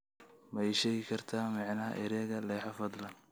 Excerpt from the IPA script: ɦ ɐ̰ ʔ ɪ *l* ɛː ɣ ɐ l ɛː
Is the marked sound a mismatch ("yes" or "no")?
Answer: yes